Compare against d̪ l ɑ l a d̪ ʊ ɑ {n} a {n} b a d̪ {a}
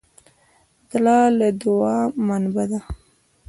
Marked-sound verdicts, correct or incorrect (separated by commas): incorrect, correct, correct